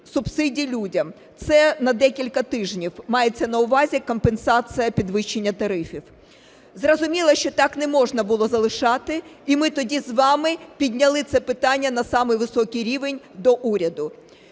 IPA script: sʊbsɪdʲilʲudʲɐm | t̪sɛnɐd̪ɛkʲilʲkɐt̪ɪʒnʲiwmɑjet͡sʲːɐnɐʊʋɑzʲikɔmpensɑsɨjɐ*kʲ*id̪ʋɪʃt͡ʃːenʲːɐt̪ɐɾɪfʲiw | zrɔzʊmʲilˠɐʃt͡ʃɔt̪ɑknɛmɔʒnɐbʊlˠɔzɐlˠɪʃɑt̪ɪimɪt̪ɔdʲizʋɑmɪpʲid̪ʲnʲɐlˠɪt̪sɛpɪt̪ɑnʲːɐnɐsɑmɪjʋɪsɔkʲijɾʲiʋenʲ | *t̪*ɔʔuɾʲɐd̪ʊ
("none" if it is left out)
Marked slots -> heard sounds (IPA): pʲ, d̪

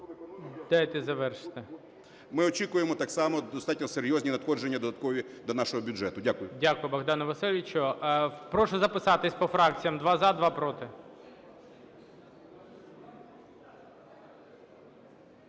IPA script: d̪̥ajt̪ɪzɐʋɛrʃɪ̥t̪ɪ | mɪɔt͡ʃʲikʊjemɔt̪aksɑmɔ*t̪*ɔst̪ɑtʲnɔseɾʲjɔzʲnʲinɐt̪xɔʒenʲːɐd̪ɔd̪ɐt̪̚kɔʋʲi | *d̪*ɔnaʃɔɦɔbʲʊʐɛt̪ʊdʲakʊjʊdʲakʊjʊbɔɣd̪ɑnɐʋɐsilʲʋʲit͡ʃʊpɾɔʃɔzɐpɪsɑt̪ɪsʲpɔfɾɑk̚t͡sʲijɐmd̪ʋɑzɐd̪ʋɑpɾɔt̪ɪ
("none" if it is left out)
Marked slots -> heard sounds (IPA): d̪, d̪

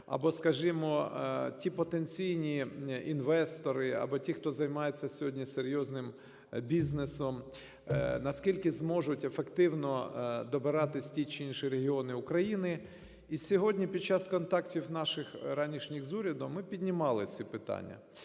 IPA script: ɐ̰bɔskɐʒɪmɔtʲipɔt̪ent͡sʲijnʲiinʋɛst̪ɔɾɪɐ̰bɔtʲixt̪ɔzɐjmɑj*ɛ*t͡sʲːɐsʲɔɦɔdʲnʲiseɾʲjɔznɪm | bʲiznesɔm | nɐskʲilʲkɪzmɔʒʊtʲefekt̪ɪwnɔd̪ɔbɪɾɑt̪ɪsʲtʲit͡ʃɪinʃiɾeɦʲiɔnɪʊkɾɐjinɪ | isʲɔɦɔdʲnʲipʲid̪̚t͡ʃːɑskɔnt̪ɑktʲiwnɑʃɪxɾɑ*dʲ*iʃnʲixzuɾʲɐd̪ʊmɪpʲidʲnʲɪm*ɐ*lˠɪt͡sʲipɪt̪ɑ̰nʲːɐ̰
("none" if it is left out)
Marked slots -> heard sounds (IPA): e, nʲ, ɑ

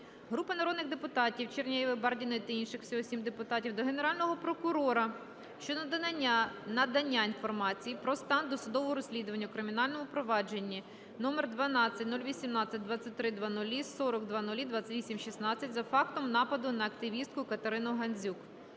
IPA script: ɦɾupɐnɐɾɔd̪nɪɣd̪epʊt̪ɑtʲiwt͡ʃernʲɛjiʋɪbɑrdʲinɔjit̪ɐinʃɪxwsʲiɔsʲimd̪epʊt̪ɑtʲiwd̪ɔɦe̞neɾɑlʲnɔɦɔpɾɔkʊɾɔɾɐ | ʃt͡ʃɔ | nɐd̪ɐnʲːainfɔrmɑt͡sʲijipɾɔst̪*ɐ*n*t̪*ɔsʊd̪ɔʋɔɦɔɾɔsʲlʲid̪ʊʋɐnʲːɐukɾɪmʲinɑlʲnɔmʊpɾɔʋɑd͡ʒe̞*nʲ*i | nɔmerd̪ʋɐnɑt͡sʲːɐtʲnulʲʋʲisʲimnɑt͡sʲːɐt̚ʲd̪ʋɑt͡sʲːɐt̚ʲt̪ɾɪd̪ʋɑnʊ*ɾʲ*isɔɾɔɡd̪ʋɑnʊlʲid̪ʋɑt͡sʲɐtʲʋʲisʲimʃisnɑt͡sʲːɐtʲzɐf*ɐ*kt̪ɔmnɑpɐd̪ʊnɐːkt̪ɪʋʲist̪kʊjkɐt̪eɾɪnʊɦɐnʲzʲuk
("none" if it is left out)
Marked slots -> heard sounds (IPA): ɑ, d̪, nʲː, lʲ, ɑ

